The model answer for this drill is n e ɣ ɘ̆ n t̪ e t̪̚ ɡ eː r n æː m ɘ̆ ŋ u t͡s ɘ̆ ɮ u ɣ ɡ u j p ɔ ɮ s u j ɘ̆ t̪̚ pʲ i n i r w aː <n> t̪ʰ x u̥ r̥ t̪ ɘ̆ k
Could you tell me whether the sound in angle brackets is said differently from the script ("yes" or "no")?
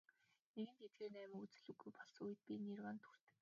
no